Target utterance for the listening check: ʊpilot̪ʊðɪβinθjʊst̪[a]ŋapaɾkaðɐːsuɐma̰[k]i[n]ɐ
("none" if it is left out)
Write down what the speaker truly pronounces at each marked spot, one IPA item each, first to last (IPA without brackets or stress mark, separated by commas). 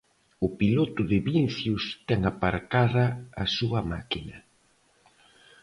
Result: ɛ, k, n